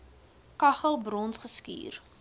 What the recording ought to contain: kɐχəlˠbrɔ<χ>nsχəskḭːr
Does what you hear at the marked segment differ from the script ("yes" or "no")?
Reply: yes